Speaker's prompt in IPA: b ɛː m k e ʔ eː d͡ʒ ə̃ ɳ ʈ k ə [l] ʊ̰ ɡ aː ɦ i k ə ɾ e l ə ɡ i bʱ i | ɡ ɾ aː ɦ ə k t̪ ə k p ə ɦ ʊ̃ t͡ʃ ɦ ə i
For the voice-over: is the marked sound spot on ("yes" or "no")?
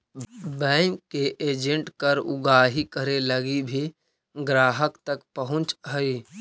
no